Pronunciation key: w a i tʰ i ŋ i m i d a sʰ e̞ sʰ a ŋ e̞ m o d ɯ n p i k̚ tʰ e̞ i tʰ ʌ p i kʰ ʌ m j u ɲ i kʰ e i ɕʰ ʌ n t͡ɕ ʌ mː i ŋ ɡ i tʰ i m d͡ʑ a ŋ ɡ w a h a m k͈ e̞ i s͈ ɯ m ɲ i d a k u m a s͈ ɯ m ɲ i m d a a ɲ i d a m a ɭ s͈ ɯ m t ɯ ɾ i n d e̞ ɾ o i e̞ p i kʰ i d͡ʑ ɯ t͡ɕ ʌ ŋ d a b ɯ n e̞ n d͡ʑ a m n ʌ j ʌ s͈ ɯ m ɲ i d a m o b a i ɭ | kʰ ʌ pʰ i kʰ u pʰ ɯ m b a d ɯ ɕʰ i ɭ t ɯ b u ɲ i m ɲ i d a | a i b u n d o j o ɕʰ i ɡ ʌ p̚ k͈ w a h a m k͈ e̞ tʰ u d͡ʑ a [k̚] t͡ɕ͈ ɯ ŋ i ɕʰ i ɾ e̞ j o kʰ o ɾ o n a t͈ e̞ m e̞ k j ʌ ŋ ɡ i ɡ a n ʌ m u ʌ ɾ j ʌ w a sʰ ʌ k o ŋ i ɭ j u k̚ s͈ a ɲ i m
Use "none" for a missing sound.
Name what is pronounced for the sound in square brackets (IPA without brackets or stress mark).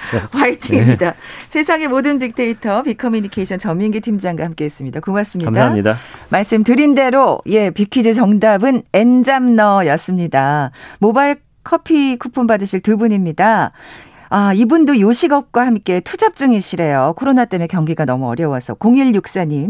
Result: p̚